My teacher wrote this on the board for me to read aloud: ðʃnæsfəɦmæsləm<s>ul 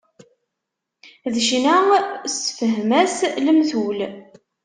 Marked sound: incorrect: θ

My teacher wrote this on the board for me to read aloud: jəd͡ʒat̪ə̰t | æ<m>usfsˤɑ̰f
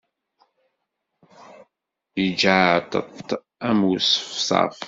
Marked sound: correct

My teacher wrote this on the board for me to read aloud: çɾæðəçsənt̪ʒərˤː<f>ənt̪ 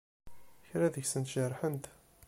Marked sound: incorrect: ħ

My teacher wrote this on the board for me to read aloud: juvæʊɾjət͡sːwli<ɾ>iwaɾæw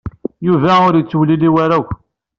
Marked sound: incorrect: l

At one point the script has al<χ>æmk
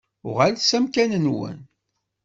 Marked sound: incorrect: s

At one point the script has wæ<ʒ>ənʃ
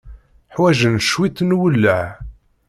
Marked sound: correct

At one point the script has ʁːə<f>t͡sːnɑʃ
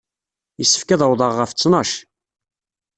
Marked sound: correct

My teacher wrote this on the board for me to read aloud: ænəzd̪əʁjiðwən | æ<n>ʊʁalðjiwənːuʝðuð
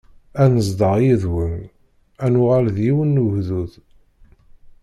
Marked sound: correct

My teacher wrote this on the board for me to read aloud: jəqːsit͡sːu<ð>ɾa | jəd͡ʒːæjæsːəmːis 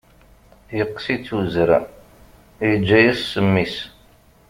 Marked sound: incorrect: z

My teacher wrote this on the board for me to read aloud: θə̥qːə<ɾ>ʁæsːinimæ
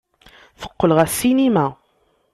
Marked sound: incorrect: l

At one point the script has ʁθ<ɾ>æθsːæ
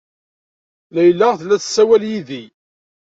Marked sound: incorrect: l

